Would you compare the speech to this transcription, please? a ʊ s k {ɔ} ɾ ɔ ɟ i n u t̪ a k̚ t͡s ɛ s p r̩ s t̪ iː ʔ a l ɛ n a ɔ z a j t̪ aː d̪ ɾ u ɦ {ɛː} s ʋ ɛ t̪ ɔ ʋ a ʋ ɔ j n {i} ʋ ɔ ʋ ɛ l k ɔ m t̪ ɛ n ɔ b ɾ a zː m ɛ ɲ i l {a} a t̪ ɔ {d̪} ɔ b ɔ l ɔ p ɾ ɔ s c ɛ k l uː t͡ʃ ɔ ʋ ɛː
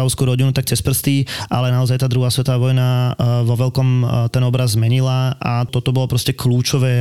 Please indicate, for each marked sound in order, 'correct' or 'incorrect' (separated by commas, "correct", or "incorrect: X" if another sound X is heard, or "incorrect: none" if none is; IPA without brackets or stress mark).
incorrect: u, incorrect: aː, incorrect: a, correct, incorrect: t̪